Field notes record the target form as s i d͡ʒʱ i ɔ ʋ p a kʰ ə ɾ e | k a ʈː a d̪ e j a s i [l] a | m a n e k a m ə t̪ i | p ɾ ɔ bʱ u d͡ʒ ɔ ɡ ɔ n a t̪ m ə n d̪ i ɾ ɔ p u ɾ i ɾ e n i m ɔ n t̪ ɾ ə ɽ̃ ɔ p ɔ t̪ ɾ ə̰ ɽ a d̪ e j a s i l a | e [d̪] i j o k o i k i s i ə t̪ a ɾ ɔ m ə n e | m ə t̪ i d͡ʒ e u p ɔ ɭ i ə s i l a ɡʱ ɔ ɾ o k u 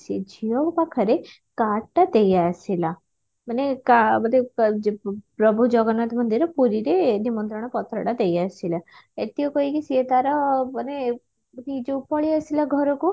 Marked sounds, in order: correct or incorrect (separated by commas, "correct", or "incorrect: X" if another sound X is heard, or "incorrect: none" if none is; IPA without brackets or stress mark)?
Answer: correct, incorrect: t̪